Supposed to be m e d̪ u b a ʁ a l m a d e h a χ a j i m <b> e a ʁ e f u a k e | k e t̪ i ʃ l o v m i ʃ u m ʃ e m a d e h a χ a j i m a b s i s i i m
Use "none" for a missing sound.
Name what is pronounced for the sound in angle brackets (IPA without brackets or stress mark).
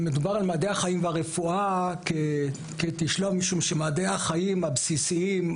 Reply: v